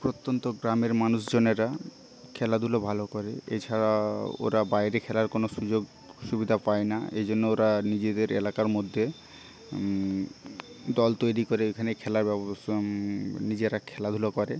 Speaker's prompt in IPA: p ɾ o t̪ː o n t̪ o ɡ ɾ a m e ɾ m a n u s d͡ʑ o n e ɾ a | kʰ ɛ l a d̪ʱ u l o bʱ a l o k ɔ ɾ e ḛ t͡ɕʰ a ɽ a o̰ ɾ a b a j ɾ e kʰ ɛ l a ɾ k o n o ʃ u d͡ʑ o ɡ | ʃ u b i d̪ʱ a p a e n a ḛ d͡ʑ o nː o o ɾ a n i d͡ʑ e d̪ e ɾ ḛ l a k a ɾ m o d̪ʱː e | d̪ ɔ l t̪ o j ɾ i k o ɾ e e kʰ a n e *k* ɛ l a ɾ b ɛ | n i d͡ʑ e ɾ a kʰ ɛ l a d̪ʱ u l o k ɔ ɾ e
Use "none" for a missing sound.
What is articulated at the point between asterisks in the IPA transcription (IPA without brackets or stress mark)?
kʰ